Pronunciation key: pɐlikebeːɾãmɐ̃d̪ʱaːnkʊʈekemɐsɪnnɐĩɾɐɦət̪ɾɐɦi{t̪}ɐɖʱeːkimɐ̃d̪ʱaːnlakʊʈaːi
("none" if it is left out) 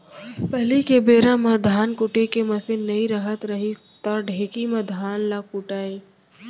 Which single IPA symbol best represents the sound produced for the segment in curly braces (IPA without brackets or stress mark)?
t̪